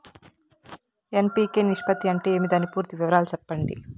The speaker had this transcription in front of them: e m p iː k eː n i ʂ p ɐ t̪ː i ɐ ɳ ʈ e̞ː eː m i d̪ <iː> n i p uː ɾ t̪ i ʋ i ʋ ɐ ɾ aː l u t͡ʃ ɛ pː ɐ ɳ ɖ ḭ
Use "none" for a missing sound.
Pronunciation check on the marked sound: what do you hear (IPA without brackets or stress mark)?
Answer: aː